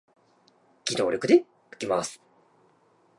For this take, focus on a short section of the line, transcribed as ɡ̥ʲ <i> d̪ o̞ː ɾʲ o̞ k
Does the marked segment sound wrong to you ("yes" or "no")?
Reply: no